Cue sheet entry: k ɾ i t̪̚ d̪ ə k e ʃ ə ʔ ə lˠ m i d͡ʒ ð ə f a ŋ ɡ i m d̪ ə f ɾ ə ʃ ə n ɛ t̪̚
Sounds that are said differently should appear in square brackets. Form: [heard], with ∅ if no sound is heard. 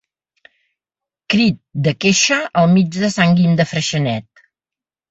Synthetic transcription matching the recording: k ɾ i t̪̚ d̪ ə k e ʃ ə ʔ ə lˠ m i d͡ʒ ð ə [s] a ŋ ɡ i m d̪ ə f ɾ ə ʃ ə n ɛ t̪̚